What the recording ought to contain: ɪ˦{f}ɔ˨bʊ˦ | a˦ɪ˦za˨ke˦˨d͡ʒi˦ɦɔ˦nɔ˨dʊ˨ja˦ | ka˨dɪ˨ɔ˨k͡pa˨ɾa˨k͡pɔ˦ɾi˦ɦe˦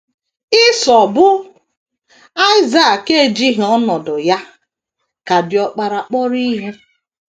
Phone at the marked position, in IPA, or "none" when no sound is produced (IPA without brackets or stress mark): s